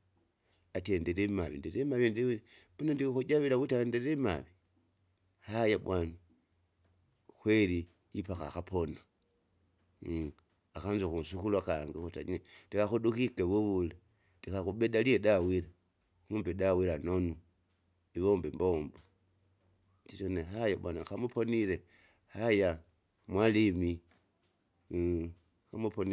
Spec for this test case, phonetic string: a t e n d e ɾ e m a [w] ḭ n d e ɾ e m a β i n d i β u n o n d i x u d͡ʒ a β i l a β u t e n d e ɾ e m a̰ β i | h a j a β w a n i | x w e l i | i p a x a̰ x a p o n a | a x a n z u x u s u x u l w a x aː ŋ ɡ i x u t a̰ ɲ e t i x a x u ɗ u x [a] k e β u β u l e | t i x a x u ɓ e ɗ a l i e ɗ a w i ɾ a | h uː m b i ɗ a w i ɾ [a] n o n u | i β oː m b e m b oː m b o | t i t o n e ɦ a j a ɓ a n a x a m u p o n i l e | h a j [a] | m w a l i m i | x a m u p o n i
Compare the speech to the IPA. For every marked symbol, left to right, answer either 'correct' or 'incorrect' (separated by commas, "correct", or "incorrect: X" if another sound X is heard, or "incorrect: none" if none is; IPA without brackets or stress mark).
incorrect: β, incorrect: i, correct, correct